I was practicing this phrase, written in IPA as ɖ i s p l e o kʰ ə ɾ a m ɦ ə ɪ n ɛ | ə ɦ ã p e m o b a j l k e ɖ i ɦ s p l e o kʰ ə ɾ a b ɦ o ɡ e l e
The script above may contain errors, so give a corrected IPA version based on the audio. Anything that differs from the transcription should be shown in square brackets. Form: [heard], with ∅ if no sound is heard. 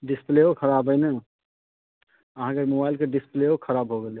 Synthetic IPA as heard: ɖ i s p l e o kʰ ə ɾ a [b] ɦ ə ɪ n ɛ | ə ɦ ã [k] e m o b a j l k e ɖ i [∅] s p l e o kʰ ə ɾ a b ɦ o ɡ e l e